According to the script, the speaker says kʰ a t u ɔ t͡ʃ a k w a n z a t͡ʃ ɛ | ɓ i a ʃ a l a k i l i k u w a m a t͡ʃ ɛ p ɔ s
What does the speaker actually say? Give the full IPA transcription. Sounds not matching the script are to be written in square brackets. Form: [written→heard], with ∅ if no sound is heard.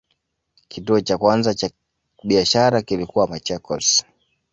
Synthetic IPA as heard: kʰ [a→i] t u ɔ t͡ʃ a k w a n z a t͡ʃ [ɛ→a] | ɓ i a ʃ a [l→ɾ] a k i l i k u w a m a t͡ʃ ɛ [p→k] ɔ s